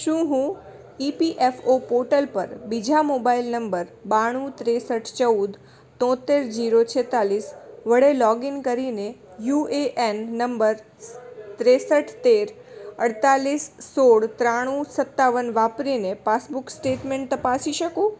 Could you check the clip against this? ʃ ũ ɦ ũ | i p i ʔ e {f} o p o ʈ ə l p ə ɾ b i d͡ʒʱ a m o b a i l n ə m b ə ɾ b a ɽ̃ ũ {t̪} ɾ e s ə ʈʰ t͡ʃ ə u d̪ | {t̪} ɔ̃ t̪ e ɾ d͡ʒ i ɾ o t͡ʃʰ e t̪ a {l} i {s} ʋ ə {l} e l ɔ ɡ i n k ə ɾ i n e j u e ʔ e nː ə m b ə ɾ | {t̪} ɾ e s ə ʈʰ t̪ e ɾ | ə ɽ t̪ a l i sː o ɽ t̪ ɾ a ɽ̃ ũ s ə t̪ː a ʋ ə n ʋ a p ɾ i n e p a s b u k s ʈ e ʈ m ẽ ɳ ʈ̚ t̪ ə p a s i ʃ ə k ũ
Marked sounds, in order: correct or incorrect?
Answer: correct, correct, correct, correct, correct, incorrect, correct

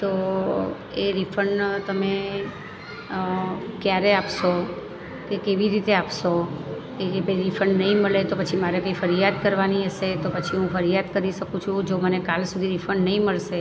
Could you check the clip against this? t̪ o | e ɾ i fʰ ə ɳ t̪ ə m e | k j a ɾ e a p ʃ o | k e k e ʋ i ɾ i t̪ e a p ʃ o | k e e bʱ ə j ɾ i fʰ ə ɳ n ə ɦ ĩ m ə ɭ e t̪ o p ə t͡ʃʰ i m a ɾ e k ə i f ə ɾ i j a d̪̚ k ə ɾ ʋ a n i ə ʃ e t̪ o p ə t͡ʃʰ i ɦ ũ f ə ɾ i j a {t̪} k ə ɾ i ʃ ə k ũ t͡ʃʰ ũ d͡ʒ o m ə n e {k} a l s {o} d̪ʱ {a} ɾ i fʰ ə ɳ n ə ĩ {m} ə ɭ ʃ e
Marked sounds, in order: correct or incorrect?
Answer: incorrect, correct, incorrect, incorrect, correct

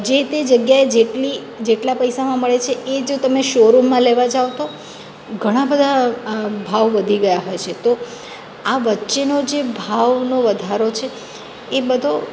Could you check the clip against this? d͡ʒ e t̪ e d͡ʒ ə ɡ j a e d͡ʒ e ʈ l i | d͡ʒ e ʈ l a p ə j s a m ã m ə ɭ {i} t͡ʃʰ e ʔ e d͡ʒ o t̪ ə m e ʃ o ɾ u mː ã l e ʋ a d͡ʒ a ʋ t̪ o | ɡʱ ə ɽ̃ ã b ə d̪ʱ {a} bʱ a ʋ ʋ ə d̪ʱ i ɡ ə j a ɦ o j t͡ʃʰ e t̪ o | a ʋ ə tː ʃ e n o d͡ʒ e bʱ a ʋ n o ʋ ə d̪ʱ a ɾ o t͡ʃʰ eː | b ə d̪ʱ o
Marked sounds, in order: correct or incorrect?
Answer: incorrect, correct

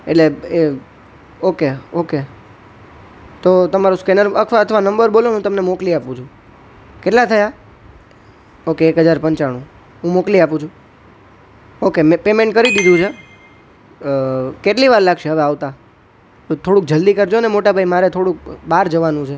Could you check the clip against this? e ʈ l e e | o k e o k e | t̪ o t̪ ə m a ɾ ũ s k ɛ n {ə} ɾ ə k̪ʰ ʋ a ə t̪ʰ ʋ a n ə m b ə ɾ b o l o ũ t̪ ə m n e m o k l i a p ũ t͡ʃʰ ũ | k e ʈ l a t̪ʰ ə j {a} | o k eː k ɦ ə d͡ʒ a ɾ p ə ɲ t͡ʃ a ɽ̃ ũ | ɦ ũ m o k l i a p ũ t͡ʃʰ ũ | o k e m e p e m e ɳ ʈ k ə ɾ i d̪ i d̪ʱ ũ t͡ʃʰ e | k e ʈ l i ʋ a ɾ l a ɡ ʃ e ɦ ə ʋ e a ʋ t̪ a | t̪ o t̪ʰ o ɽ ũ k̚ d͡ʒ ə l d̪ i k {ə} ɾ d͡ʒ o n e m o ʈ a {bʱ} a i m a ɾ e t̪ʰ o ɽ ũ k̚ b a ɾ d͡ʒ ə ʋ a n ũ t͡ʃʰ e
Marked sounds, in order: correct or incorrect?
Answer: correct, correct, correct, correct

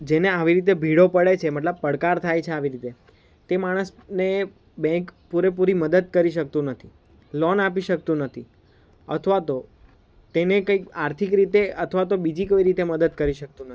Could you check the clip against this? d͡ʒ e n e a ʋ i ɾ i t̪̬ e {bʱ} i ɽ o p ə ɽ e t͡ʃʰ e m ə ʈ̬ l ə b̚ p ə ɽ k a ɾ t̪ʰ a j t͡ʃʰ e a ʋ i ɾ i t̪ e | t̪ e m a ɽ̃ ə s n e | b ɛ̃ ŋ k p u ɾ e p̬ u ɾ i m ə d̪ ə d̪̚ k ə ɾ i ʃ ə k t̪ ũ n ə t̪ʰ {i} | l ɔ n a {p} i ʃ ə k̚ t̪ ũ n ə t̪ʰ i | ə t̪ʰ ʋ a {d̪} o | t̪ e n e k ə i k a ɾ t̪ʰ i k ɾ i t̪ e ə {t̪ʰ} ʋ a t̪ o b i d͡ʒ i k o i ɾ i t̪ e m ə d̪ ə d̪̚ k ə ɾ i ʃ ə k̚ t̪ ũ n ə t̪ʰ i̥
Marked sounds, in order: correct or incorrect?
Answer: correct, correct, correct, incorrect, correct

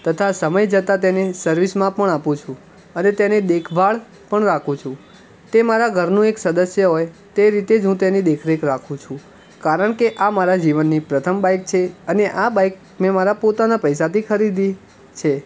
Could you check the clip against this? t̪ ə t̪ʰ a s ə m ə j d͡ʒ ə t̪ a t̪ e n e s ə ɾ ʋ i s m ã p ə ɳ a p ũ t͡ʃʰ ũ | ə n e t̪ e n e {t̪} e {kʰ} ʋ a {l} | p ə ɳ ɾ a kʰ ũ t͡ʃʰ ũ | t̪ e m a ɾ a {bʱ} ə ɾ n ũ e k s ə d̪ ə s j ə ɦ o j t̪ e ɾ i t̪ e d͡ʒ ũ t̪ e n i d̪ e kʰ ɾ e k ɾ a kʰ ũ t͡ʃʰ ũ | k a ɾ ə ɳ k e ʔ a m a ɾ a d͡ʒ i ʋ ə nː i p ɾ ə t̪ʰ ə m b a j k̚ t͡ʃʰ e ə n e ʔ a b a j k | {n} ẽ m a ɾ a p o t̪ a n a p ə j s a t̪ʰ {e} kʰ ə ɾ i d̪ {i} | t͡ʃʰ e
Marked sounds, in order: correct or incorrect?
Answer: incorrect, correct, incorrect, incorrect, incorrect, incorrect, correct

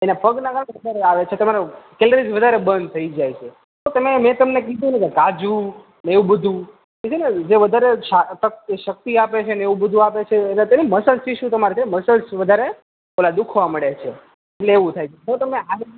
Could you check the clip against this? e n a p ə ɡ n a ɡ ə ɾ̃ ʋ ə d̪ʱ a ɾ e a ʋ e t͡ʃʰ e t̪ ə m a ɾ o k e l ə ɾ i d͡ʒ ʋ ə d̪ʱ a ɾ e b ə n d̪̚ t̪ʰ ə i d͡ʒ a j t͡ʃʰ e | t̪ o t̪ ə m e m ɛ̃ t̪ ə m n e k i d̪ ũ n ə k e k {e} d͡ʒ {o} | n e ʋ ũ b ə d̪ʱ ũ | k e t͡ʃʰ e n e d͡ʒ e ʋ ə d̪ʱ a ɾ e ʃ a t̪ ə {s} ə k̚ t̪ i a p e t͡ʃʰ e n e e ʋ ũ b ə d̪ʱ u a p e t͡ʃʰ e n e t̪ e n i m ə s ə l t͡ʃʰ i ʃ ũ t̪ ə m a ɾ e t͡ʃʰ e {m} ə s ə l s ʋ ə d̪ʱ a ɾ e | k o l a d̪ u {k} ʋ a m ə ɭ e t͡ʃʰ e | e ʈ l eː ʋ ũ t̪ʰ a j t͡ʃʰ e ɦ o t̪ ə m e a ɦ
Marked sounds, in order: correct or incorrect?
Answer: incorrect, incorrect, incorrect, correct, incorrect

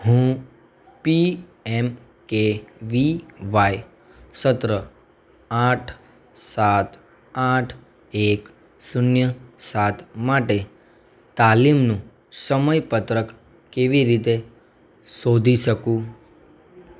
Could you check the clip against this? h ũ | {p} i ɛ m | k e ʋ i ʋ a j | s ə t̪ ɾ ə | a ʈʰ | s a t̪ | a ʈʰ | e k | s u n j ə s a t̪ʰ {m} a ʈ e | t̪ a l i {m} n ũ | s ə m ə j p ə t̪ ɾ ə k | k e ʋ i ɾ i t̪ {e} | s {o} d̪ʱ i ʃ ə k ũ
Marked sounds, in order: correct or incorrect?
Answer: correct, correct, correct, correct, correct

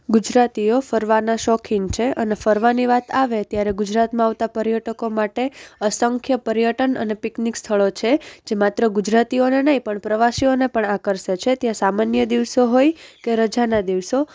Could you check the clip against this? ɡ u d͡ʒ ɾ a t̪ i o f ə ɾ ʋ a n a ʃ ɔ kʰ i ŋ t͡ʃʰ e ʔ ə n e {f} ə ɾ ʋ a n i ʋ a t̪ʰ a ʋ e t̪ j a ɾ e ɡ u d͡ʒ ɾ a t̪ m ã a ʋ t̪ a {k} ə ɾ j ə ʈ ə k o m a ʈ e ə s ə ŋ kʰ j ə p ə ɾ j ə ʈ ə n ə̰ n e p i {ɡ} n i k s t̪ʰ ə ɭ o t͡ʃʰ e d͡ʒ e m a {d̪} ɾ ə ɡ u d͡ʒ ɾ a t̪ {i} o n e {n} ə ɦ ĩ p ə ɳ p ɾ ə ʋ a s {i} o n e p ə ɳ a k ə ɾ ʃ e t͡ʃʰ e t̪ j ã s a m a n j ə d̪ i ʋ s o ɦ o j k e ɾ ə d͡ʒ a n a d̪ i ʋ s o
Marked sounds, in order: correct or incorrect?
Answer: correct, incorrect, incorrect, incorrect, correct, correct, correct

